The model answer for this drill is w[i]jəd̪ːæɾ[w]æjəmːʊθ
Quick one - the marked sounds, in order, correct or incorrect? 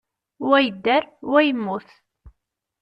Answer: incorrect, correct

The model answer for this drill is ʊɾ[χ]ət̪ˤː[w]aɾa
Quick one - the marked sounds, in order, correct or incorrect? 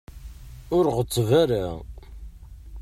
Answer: incorrect, incorrect

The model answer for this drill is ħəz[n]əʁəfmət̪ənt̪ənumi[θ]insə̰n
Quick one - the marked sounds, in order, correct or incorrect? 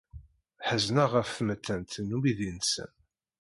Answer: correct, incorrect

